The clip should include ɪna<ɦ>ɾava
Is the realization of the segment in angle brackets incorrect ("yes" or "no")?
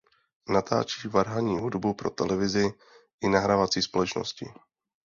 no